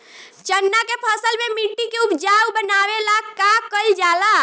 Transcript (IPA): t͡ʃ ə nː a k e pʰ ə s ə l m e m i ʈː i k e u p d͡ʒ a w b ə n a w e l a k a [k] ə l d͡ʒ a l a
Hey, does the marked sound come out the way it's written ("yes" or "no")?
yes